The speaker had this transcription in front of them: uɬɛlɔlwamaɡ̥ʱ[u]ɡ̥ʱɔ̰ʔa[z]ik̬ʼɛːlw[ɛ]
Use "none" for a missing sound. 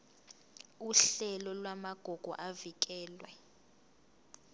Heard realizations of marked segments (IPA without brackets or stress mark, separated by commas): ɔ, v, ɛ